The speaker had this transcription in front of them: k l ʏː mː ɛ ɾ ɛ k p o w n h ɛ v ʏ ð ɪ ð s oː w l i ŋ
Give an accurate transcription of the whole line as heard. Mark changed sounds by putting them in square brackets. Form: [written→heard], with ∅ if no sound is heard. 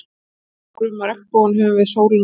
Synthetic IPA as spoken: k [l→ɾ] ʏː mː [ɛ→a] ɾ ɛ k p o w n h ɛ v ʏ [ð→v] ɪ ð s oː w [l→ɾ] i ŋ

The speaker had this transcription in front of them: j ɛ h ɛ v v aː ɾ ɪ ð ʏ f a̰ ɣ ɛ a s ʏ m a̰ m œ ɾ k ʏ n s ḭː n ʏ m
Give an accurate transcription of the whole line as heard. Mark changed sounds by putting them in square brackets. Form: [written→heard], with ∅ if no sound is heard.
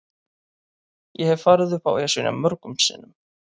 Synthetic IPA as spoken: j ɛ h ɛ v [v→f] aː ɾ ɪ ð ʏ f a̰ [ɣ→w] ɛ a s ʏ [m→n] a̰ m œ ɾ k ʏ [n→m] s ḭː n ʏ m

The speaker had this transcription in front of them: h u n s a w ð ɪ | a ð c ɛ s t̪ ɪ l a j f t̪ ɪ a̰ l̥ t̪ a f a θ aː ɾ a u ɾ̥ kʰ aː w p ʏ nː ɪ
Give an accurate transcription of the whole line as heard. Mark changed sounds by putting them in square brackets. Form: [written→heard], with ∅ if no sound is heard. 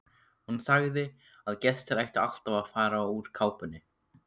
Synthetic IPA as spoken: h u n s a [w→ɣ] ð ɪ | a ð c ɛ s t̪ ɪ [l→ɾ] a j [f→h] t̪ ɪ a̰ l̥ t̪ a [f→v] a [θ→f] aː ɾ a u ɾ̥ kʰ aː w p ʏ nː ɪ

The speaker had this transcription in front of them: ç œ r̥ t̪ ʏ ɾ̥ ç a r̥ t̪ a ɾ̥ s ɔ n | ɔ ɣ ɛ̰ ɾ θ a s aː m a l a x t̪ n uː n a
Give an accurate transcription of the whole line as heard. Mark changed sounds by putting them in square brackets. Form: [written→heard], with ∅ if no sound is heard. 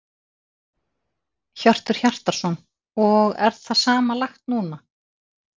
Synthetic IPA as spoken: ç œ r̥ t̪ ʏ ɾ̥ ç a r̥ t̪ a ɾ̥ s ɔ n | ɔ ɣ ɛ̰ ɾ θ a s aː m a l a x t̪ n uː n a

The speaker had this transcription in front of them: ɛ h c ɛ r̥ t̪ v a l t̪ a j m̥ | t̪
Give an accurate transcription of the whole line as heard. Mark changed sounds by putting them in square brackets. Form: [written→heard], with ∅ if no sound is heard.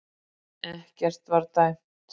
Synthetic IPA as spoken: ɛ h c ɛ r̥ t̪ v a [l→ɾ] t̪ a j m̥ | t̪

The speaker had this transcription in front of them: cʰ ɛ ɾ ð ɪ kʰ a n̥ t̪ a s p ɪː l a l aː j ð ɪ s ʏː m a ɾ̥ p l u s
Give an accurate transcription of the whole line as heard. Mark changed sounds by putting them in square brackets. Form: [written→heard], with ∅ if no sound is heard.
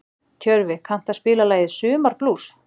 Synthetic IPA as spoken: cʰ [ɛ→œ] ɾ [ð→v] ɪ kʰ a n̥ t̪ a s p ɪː l a l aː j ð ɪ s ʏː m a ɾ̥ p l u s

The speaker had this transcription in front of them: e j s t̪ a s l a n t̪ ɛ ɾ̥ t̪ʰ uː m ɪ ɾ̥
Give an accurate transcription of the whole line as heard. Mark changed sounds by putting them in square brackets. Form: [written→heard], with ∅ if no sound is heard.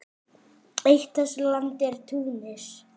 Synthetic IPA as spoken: e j [s→h] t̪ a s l a n t̪ ɛ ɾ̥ t̪ʰ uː [m→n] ɪ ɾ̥

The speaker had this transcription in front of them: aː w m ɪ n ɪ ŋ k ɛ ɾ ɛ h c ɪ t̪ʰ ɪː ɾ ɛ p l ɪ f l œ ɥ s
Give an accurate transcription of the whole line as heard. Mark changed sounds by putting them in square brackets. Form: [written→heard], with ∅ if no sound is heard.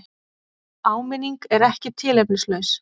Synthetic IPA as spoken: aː w m ɪ n [ɪ→i] ŋ k ɛ ɾ ɛ h c ɪ t̪ʰ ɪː [ɾ→l] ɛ p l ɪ [f→s] l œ ɥ s

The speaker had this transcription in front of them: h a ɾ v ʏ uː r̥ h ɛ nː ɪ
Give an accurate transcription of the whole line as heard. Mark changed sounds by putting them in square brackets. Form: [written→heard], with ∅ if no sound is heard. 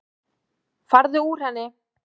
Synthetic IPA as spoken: [h→f] a ɾ [v→ð] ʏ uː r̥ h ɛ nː ɪ

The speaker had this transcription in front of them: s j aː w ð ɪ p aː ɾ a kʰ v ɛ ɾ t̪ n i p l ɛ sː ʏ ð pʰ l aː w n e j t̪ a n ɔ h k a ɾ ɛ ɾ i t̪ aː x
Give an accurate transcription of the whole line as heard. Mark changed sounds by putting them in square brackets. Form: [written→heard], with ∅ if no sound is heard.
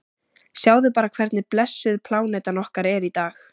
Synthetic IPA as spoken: s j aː w ð ɪ p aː ɾ a kʰ v ɛ ɾ t̪ n [i→ɪ] p l ɛ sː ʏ ð pʰ l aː w n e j t̪ a n ɔ h k a ɾ ɛ ɾ i t̪ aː x

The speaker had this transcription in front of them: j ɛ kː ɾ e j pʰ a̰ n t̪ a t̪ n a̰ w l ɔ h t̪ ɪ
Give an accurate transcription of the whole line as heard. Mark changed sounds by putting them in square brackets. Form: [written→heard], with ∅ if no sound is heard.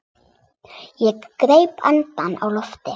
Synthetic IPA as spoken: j ɛ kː ɾ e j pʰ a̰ n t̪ a [t̪→∅] n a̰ w l ɔ [h→f] t̪ ɪ

